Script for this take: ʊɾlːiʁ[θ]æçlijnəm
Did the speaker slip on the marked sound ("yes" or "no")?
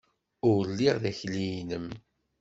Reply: yes